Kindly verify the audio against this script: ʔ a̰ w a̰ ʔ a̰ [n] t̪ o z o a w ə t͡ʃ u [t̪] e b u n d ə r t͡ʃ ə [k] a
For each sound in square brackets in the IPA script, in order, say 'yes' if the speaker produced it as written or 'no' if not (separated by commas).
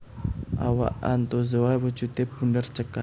yes, yes, yes